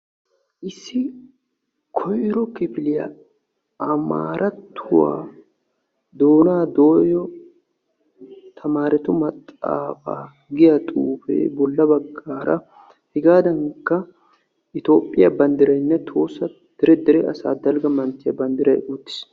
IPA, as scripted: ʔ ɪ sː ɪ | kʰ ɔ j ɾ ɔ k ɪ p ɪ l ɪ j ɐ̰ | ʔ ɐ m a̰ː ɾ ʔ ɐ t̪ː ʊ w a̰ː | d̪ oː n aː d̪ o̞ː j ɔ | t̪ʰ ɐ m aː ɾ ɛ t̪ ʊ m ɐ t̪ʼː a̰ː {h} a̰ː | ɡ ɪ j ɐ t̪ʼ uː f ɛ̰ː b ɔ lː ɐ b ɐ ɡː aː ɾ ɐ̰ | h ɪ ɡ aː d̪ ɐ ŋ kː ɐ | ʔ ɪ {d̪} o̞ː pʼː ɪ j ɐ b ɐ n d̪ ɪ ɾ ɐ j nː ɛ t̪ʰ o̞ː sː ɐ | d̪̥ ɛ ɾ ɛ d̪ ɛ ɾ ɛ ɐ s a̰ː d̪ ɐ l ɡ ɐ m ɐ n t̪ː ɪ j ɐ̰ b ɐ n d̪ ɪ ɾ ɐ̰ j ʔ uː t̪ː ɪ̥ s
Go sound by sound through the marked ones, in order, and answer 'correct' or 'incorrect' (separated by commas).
incorrect, incorrect